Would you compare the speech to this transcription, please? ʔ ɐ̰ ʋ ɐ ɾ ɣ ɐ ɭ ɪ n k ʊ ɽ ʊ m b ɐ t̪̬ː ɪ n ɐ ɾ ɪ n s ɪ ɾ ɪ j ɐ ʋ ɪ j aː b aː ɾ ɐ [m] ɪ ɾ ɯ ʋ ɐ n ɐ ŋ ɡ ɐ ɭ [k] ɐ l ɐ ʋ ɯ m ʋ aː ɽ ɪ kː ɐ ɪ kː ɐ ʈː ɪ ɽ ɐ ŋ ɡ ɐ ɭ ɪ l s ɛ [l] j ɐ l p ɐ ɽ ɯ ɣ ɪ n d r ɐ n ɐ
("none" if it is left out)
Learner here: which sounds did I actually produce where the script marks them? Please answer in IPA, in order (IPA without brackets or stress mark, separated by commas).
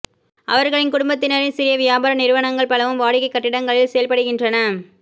n, p, none